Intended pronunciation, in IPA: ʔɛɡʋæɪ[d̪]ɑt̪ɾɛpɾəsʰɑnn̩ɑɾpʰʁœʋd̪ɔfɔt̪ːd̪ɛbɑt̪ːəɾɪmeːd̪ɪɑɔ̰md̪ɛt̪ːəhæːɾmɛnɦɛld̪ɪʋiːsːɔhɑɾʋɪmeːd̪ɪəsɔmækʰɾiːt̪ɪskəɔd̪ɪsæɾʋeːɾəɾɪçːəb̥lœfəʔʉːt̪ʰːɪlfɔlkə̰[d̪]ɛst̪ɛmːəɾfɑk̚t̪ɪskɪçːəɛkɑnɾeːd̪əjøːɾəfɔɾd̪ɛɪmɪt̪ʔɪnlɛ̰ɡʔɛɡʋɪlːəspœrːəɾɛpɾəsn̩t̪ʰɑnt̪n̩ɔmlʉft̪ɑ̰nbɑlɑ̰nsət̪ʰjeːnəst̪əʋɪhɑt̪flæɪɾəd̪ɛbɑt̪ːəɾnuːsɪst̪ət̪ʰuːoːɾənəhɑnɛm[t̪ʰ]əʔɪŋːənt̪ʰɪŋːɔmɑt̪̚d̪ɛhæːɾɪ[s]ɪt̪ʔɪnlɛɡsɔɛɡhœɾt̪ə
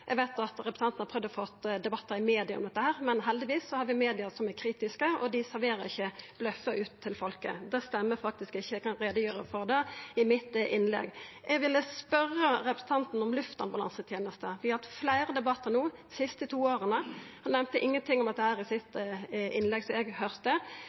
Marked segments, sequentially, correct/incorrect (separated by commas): incorrect, correct, incorrect, correct